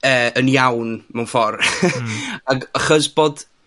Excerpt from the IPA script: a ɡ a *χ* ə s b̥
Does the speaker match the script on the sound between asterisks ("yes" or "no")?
yes